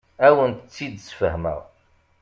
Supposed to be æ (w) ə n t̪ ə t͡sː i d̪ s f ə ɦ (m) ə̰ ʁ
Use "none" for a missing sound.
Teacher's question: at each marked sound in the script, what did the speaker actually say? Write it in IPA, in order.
w, m

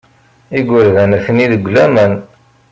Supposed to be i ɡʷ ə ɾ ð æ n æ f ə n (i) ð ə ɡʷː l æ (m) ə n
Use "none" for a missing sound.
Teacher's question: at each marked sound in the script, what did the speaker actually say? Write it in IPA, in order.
i, m

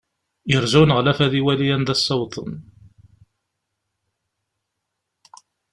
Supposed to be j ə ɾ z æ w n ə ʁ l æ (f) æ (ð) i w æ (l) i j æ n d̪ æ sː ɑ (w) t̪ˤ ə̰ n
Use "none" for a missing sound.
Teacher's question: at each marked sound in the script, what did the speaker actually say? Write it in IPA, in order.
f, ð, l, w

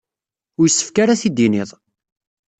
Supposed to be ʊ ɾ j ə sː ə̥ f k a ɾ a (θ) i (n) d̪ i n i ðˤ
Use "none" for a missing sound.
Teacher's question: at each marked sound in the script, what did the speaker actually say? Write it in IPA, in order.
θ, none

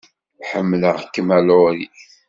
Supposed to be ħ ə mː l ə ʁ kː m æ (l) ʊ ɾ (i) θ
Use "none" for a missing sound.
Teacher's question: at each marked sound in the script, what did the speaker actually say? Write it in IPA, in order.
l, i

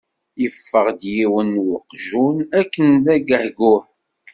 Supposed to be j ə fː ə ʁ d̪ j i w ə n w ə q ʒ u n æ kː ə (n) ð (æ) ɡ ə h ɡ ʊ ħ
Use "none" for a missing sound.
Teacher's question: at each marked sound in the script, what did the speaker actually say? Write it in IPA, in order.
n, æ

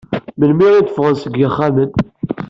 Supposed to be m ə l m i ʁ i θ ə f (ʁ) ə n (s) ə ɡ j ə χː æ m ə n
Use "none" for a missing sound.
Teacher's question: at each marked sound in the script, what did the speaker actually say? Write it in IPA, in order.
ʁ, s

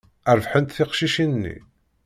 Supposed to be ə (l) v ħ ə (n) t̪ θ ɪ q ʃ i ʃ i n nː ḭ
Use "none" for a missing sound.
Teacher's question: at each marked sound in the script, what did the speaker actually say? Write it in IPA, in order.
ɾ, n

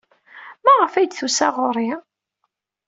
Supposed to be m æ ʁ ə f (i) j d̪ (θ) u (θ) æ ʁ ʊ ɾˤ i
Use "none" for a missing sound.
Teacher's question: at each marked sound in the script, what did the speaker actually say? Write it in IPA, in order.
æ, θ, s

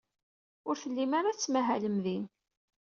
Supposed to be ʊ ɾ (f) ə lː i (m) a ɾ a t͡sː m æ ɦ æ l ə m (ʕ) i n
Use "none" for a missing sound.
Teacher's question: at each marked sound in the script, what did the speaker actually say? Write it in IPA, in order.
θ, m, ð

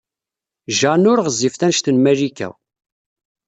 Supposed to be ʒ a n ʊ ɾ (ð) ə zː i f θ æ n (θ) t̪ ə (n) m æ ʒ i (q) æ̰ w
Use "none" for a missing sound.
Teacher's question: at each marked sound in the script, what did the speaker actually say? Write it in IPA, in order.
ʁ, ʃ, n, k

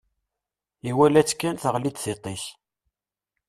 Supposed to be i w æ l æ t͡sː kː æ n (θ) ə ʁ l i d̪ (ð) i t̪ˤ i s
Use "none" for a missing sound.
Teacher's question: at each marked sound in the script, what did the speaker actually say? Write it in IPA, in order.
θ, θ

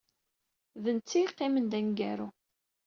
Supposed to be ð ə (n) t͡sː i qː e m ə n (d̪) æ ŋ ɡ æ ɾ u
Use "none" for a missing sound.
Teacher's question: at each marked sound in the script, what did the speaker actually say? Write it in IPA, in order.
n, d̪

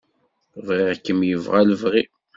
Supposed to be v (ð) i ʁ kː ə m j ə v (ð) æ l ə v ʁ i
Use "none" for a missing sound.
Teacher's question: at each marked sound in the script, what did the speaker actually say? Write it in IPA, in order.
ʁ, ʁ

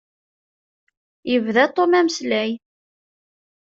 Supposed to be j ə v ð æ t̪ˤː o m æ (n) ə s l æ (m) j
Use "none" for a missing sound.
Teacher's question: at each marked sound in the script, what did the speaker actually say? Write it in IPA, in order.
m, none

